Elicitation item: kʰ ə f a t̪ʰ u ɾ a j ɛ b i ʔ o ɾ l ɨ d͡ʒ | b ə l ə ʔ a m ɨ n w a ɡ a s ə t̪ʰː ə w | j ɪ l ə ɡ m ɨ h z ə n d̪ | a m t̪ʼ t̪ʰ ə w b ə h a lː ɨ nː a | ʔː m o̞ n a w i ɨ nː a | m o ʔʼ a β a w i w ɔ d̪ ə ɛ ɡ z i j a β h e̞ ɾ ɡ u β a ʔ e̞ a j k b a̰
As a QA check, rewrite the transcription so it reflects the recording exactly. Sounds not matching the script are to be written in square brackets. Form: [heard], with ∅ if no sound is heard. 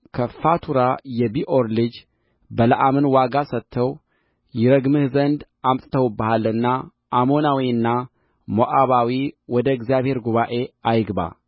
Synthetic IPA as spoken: kʰ ə f a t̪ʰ u ɾ a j ɛ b i ʔ o ɾ l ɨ d͡ʒ | b ə l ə ʔ a m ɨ n w a ɡ a s ə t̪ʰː ə w | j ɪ [ɾ] ə ɡ m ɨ h z ə n d̪ | a m t̪ʼ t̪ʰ ə w b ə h a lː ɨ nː a | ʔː m o̞ n a w i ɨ nː a | m o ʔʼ a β a w i w ɔ d̪ ə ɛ ɡ z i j a β h e̞ ɾ ɡ u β a ʔ e̞ a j [ɡ] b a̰